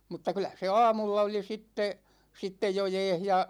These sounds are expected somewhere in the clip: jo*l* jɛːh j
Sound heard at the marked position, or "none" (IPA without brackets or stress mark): none